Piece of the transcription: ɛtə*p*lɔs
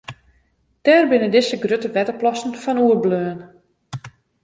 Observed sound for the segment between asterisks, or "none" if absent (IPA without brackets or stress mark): p